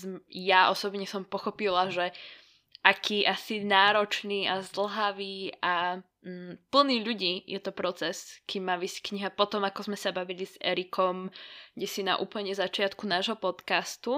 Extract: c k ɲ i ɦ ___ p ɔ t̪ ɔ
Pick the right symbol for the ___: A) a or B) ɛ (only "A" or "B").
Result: A